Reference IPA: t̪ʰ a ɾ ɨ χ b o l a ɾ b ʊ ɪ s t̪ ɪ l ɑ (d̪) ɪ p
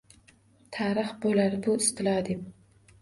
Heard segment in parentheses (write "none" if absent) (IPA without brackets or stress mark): d̪